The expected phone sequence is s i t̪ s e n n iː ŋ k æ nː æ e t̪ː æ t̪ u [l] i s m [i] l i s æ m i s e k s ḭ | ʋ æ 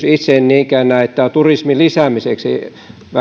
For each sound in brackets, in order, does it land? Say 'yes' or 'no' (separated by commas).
no, yes